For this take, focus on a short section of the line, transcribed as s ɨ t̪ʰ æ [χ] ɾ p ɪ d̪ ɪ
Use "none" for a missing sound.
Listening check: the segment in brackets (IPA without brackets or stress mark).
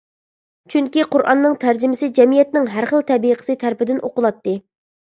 none